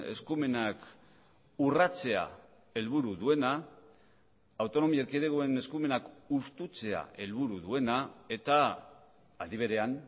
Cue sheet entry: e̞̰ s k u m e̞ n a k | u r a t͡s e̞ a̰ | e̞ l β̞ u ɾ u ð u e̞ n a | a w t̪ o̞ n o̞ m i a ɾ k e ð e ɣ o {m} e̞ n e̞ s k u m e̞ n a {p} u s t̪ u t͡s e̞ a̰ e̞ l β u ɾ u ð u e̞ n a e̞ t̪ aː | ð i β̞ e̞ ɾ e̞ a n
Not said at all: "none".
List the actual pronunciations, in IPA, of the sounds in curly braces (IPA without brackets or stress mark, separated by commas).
none, k